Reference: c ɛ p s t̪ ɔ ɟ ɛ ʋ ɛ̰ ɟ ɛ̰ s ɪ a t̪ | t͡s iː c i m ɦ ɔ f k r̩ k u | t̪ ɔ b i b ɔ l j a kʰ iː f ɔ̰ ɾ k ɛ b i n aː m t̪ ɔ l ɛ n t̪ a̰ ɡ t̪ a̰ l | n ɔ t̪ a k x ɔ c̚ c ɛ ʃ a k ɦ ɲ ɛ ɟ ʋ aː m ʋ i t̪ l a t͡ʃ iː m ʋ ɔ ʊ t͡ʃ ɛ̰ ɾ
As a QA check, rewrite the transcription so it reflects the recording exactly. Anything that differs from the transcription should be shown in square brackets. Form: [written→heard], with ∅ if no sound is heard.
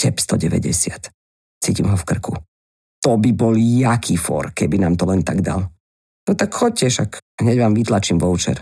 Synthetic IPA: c ɛ p s t̪ ɔ ɟ ɛ ʋ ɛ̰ ɟ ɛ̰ s ɪ a t̪ | t͡s iː c i m ɦ ɔ f k r̩ k u | t̪ ɔ b i b ɔ l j a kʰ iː f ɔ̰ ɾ k ɛ b i n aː m t̪ ɔ l ɛ n t̪ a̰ ɡ [t̪→d̪] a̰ l | n ɔ t̪ a k x ɔ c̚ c ɛ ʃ a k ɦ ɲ ɛ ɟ ʋ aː m ʋ i t̪ l a t͡ʃ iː m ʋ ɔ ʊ t͡ʃ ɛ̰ ɾ